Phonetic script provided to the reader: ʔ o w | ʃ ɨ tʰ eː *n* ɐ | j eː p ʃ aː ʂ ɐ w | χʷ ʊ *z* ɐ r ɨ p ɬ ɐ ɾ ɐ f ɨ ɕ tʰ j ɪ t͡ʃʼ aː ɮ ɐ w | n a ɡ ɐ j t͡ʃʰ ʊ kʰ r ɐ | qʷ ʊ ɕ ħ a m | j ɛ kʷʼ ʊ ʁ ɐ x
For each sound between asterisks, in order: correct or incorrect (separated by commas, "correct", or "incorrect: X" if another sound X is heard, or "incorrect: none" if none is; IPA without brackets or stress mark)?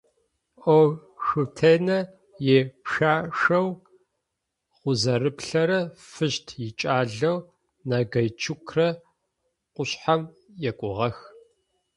correct, correct